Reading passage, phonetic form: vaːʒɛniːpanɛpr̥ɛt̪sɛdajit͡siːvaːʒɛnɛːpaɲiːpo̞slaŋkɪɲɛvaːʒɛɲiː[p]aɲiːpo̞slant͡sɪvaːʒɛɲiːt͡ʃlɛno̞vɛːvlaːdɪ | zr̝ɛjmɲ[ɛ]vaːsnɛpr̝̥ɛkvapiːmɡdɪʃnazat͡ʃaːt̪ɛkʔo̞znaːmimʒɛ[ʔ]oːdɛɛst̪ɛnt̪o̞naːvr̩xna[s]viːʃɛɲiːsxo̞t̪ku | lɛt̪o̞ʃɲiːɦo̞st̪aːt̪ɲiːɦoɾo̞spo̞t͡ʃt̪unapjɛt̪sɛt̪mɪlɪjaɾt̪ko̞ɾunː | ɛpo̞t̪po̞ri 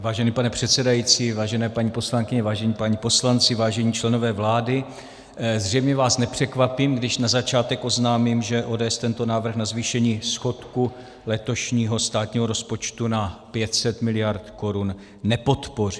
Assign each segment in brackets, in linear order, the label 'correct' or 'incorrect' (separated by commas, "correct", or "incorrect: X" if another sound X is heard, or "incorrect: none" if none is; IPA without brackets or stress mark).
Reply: correct, correct, correct, incorrect: z